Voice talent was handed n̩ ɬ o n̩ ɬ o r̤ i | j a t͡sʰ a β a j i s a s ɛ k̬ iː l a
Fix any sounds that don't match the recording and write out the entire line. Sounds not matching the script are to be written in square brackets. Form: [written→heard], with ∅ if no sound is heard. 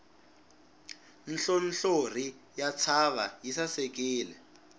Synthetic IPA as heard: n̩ ɬ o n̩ ɬ o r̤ i | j a t͡sʰ a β a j i s a s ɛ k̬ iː l [a→ɛ]